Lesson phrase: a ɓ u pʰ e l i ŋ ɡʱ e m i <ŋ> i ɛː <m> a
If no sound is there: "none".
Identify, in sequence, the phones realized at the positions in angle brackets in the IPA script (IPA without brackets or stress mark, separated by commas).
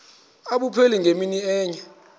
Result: n, ɲ